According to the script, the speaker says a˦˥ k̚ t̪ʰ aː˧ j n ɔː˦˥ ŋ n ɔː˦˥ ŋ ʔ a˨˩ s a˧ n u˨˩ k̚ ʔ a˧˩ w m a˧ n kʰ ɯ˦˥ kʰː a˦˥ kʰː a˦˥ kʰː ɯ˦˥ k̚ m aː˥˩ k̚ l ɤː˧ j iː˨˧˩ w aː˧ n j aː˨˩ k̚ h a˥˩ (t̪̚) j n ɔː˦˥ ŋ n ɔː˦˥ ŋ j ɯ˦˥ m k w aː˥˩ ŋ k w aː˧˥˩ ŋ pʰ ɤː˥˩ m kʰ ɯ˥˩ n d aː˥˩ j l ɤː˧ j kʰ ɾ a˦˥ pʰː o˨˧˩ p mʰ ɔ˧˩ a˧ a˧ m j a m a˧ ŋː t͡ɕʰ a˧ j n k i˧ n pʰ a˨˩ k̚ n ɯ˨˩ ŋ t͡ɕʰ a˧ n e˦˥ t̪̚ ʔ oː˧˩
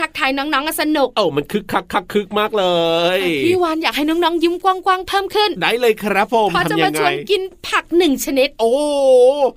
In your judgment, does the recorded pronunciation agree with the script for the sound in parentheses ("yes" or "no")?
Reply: no